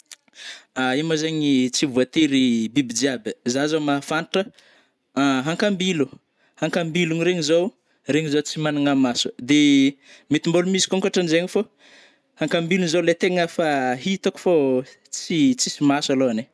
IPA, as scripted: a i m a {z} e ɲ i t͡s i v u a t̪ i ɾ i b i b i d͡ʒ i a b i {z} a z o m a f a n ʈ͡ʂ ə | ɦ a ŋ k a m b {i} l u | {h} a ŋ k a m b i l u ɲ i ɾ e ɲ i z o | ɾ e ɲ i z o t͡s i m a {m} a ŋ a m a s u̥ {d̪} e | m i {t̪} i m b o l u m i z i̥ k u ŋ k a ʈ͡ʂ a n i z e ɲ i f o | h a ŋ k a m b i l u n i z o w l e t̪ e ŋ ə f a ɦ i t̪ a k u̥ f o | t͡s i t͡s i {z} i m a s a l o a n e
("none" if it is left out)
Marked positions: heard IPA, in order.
z, z, i, h, n, d̪, t̪, s

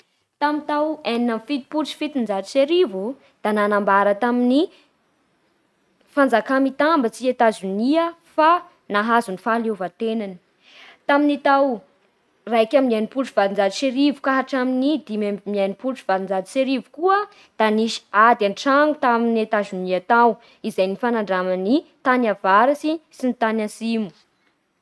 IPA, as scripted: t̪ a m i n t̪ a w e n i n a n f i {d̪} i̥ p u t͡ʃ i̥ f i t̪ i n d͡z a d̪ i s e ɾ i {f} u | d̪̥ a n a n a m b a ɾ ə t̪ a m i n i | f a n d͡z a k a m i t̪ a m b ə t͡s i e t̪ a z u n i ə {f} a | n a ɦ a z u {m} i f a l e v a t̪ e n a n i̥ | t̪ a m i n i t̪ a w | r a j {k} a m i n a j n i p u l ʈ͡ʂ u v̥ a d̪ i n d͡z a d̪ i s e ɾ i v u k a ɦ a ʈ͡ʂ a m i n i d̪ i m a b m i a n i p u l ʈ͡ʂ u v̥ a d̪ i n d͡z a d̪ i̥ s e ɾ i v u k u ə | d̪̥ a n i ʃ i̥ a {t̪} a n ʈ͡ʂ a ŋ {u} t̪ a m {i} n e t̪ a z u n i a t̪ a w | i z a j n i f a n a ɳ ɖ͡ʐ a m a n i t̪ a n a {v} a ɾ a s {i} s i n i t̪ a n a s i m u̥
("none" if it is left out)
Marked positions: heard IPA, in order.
t̪, v, f, n, k, d̪, u, i, v, i

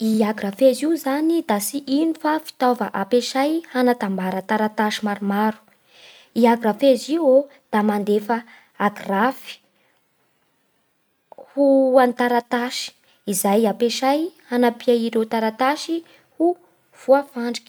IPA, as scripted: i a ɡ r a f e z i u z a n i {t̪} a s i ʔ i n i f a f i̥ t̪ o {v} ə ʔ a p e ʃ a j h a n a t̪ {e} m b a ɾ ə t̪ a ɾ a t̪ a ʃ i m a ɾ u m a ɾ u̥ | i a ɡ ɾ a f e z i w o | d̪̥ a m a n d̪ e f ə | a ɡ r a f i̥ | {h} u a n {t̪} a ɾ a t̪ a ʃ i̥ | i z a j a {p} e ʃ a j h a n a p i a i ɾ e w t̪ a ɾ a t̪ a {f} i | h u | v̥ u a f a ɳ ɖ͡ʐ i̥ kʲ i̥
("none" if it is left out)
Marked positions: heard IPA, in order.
d̪, v, a, h, t̪, p, ʃ

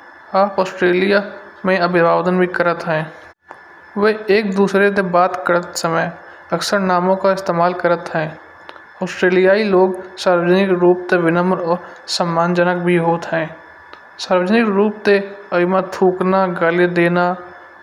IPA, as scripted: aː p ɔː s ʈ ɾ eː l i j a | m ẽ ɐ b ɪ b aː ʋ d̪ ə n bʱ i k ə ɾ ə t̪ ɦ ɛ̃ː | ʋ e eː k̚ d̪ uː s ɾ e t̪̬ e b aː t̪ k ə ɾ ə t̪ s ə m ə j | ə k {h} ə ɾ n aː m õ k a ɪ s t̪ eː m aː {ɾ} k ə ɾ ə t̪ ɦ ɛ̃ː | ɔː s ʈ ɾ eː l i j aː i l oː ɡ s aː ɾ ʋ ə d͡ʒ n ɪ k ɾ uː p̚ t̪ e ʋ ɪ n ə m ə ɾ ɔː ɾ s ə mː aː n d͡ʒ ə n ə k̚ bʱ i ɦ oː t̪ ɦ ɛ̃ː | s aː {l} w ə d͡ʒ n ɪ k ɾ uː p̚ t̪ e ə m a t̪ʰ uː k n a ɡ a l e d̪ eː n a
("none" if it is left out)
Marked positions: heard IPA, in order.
s, l, ɾ

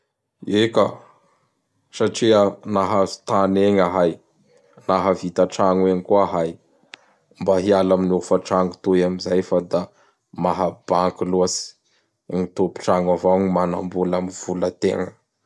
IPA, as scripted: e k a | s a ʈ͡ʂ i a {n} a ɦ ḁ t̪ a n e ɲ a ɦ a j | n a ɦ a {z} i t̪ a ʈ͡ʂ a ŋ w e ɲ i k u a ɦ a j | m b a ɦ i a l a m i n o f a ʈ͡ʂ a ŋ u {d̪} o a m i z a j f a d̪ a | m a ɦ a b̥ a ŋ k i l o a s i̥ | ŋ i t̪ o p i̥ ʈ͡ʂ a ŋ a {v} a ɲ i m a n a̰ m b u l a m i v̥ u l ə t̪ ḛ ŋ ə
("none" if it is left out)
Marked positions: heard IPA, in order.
n, v, t̪, v

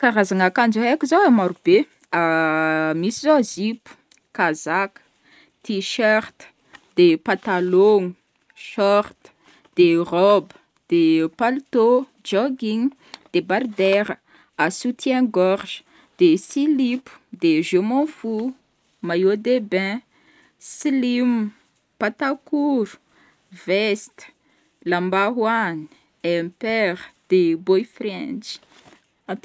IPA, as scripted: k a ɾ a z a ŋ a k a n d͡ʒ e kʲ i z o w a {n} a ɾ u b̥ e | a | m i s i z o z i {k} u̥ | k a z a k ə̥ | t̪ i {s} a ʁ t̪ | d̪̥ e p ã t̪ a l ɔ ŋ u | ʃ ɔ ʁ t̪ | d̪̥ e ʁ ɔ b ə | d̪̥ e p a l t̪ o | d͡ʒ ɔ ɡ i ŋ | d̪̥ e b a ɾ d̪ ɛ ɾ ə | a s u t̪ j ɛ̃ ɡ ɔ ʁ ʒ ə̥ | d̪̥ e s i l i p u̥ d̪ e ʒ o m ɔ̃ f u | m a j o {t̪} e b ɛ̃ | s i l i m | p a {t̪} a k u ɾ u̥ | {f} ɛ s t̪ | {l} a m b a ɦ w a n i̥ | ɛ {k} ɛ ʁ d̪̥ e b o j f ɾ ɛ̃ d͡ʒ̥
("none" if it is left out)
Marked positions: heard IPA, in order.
m, p, ʃ, d̪, t̪, v, l, p

